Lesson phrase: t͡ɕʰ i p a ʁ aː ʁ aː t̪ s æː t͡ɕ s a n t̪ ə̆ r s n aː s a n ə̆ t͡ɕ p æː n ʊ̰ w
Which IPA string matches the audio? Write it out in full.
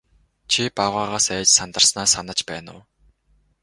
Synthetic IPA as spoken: t͡ɕʰ i p a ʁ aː ʁ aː s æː t͡ɕ s a n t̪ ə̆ r s n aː s a n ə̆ t͡ɕ p æː n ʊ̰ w